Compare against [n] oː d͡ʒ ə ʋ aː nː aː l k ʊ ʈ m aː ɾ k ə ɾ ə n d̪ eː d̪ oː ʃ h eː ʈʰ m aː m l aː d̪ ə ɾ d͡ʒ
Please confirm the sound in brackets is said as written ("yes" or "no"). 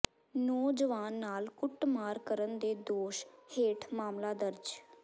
yes